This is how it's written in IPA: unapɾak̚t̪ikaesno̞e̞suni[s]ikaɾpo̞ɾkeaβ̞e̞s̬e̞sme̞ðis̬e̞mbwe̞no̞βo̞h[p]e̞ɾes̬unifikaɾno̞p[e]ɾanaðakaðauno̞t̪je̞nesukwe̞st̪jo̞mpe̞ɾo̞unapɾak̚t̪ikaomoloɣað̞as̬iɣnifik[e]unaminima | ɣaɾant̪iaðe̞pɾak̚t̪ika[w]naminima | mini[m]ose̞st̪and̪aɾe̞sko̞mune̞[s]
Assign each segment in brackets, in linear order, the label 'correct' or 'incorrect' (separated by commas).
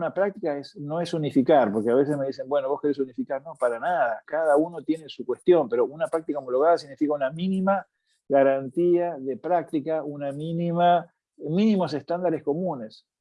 incorrect, incorrect, incorrect, incorrect, incorrect, correct, correct